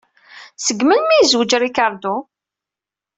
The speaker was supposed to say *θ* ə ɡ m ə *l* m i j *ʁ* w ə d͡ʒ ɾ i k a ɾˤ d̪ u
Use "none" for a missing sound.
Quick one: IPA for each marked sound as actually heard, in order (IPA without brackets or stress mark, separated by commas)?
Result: s, l, z